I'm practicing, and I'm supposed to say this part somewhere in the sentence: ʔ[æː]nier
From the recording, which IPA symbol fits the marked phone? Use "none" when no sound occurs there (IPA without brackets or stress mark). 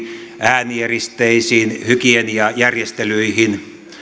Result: æː